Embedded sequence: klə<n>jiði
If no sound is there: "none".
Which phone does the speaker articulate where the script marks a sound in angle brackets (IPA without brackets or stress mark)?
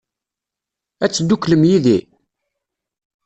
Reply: m